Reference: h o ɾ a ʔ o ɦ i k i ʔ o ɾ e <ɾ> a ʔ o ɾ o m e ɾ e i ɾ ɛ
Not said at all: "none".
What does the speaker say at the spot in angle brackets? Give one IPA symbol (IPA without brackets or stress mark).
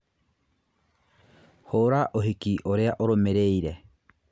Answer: none